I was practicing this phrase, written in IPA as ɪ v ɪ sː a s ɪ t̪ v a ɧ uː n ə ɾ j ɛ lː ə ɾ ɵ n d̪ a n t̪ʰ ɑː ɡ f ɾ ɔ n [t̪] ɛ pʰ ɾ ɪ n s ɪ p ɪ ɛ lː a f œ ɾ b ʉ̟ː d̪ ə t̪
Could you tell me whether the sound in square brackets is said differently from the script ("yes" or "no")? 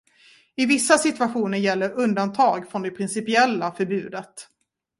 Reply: yes